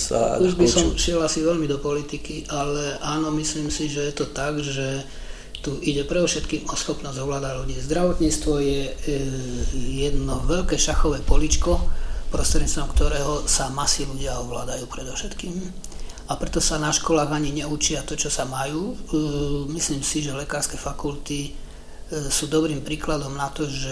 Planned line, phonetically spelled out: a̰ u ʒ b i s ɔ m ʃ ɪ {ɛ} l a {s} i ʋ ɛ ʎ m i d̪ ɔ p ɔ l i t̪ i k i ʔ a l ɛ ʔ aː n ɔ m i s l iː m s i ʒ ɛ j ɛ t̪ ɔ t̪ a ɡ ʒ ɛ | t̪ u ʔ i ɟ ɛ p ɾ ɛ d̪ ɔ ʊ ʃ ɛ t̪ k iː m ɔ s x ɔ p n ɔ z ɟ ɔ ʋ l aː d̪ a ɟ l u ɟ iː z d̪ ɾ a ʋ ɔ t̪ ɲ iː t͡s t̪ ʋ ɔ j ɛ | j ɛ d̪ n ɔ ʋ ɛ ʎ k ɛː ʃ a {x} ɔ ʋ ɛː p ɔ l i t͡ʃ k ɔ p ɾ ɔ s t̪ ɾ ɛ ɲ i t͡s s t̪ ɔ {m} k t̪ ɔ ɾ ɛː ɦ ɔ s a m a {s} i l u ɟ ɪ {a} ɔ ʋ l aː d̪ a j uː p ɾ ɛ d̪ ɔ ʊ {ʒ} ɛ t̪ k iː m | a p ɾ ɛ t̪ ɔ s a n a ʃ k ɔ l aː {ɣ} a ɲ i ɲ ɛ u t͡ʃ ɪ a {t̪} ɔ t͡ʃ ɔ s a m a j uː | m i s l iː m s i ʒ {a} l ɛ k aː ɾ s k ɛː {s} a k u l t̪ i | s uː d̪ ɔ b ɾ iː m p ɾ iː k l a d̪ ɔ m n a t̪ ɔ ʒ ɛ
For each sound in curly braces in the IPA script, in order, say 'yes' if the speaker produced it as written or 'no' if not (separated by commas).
yes, yes, yes, yes, yes, yes, no, yes, yes, no, no